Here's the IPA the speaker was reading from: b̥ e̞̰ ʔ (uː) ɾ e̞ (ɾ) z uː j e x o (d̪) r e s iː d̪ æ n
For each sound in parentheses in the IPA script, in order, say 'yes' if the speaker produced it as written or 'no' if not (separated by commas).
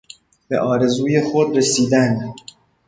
no, no, yes